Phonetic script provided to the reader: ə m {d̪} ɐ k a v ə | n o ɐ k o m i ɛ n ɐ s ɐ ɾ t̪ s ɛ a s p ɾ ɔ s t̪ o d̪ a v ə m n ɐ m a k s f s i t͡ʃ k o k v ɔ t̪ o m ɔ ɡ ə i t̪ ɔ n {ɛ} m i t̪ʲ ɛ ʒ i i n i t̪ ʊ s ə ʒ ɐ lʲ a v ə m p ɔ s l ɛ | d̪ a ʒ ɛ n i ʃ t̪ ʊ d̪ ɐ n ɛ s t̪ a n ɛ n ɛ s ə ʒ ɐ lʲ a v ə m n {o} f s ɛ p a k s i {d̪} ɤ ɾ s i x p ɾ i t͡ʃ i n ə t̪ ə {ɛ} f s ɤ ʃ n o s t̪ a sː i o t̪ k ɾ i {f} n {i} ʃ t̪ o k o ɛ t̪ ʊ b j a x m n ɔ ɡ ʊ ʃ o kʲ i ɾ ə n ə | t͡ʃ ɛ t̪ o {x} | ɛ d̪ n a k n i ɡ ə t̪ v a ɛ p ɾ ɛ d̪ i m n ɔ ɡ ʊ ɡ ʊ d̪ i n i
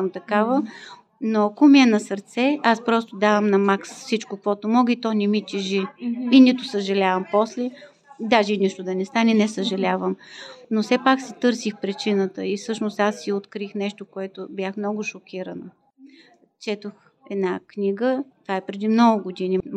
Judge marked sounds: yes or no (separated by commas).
no, yes, yes, no, no, no, no, yes